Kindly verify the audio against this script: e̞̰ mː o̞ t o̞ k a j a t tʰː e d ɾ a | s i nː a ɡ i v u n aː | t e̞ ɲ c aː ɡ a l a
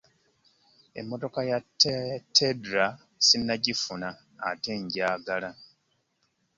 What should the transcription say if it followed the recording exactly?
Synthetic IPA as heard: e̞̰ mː o̞ t o̞ k a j a t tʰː e d ɾ a | s i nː a ɟ i f u n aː | t e̞ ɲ ɟ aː ɡ a l a